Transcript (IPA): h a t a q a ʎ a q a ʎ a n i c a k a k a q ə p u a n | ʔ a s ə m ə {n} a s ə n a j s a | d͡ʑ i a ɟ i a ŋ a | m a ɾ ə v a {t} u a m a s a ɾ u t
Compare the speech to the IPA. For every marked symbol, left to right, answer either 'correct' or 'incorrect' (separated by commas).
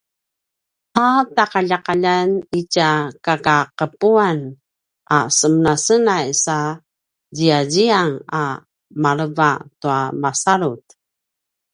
correct, correct